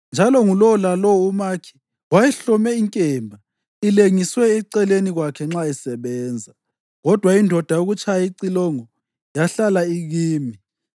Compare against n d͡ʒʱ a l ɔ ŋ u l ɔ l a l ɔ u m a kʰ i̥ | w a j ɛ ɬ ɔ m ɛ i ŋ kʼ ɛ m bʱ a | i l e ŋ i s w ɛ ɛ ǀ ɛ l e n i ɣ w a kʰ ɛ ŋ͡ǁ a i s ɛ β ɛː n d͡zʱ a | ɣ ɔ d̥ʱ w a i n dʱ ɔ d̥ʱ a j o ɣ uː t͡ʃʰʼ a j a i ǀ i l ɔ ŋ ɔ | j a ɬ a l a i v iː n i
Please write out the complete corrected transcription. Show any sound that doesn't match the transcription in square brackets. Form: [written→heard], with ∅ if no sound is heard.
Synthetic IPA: n d͡ʒʱ a l ɔ ŋ u l ɔ l a l ɔ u m a kʰ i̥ | w a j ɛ ɬ ɔ m ɛ i ŋ kʼ ɛ m bʱ a | i l e ŋ i s w ɛ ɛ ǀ ɛ l e n i ɣ w a kʰ ɛ ŋ͡ǁ a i s ɛ β ɛː n d͡zʱ a | ɣ ɔ d̥ʱ w a i n dʱ ɔ d̥ʱ a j o ɣ [uː→u] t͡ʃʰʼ a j a i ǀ i l ɔ ŋ ɔ | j a ɬ a l a i [v→ɣ] iː [n→m] i